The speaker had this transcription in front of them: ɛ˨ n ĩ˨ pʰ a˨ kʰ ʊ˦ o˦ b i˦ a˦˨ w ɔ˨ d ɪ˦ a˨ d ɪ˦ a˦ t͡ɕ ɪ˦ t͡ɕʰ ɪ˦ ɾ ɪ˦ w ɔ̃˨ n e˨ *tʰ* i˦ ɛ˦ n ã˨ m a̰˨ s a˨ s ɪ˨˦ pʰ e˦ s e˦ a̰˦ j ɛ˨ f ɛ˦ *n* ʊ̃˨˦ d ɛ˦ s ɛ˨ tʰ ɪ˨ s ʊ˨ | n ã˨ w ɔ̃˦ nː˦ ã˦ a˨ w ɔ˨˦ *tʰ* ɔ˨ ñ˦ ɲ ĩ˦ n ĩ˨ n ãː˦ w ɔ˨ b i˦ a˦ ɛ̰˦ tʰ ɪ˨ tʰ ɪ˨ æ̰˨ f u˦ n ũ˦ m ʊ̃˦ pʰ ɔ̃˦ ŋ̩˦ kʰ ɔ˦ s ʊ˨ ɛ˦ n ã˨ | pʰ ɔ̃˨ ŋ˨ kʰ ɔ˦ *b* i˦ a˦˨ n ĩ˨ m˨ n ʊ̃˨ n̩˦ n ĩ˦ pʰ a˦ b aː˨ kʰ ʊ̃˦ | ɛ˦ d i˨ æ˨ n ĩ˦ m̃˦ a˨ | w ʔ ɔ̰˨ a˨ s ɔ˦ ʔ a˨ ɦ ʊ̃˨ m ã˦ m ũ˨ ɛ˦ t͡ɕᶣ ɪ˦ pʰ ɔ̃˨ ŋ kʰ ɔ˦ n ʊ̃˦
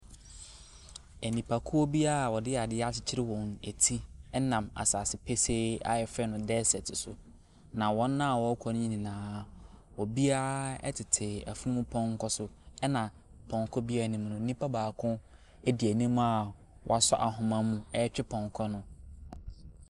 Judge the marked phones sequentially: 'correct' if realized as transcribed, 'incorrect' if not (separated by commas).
correct, correct, incorrect, correct